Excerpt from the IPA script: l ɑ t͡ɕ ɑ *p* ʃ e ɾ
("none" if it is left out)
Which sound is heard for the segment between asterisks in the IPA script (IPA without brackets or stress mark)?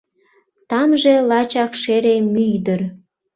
k